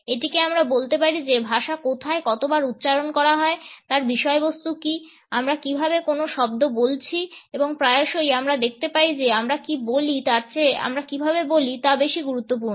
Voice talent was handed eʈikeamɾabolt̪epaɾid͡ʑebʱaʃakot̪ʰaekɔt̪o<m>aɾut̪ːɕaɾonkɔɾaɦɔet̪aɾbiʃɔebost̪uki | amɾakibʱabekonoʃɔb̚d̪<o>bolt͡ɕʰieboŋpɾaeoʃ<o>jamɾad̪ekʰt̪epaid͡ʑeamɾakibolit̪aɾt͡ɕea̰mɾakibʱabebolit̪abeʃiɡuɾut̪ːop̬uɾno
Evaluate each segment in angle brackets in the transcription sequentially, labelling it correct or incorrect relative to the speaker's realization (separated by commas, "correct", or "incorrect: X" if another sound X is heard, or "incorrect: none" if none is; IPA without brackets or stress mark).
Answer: incorrect: b, correct, correct